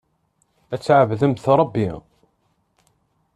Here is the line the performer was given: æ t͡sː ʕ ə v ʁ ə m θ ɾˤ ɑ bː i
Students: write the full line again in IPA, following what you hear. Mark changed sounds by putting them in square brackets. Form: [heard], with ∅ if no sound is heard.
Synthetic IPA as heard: æ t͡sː ʕ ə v [ð] ə m θ ɾˤ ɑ bː i